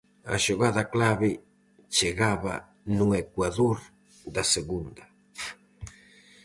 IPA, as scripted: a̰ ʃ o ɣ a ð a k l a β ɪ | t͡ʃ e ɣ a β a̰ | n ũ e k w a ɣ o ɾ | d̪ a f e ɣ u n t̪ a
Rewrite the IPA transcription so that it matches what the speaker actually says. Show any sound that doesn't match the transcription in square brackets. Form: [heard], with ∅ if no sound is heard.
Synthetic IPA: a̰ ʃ o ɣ a ð a k l a β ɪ | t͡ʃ e ɣ a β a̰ | n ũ e k w a [ð] o ɾ | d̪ a [s] e ɣ u n [d̪] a